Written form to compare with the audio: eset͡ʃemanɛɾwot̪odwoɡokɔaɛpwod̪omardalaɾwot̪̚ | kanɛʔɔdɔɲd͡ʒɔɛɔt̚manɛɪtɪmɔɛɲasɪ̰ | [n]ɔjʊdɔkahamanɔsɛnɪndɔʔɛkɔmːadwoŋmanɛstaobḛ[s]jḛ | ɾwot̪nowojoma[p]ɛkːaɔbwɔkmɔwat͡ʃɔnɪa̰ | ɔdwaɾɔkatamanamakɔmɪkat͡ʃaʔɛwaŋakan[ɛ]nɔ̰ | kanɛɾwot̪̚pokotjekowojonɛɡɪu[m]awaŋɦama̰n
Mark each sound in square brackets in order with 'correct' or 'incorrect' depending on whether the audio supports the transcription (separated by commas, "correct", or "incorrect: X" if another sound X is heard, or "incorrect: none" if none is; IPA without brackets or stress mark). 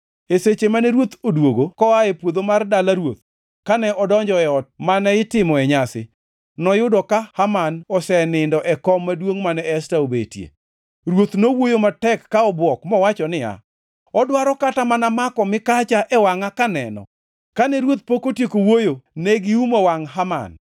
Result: correct, incorrect: t, incorrect: t, correct, correct